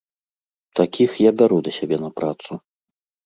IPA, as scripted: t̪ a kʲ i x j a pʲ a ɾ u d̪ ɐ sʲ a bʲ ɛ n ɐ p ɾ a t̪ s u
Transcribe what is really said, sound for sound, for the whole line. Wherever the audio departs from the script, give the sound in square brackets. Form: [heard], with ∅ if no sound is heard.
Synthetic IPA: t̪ a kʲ i x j a [bʲ] a ɾ u d̪ ɐ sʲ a bʲ ɛ n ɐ p ɾ a t̪ s u